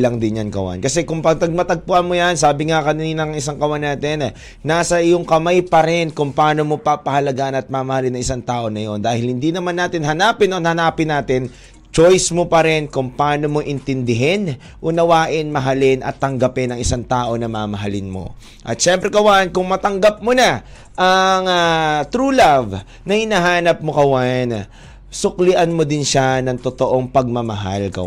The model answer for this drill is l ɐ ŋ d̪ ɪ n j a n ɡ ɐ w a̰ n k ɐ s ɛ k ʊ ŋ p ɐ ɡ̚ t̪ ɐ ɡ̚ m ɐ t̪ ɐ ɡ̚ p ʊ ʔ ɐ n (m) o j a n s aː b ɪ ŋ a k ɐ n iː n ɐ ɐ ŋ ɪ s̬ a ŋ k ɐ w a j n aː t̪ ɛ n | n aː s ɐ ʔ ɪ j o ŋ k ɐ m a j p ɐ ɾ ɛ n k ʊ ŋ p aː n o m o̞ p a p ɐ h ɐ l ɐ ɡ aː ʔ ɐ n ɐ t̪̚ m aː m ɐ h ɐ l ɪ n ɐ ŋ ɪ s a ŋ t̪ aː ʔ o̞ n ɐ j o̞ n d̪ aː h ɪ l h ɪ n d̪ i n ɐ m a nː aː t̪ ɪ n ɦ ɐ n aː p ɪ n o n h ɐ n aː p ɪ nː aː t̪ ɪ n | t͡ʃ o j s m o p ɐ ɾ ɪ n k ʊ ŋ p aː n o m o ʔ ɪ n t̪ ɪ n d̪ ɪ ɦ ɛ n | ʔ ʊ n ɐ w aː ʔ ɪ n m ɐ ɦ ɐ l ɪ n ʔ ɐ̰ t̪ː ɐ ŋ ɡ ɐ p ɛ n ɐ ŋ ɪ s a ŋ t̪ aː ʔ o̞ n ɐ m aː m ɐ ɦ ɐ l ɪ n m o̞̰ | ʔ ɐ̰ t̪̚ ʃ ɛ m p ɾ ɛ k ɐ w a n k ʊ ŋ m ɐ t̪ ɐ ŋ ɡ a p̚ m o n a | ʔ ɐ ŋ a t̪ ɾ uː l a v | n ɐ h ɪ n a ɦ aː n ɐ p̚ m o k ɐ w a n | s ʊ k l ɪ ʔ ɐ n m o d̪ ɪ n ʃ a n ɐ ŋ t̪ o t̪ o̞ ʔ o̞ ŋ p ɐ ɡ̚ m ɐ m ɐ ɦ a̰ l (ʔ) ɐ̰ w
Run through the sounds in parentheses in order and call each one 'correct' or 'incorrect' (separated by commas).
correct, incorrect